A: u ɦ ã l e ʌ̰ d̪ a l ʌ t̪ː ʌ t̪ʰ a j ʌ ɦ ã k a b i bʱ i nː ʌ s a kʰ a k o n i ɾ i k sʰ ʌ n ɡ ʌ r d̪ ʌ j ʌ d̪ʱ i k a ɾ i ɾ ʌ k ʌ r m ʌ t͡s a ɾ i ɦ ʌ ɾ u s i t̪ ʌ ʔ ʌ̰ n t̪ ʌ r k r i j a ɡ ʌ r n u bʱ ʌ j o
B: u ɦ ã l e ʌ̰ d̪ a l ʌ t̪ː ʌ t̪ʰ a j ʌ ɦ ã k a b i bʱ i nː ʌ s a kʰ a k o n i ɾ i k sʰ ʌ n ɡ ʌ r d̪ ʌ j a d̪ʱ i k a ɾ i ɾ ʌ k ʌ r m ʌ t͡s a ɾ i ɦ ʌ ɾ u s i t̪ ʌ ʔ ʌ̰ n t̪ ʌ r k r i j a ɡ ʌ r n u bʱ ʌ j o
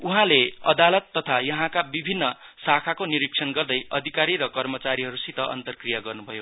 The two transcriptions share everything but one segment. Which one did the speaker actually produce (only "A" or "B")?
A